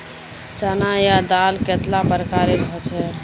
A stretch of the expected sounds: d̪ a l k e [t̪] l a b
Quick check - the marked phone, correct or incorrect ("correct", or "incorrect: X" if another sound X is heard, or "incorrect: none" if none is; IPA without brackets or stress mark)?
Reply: correct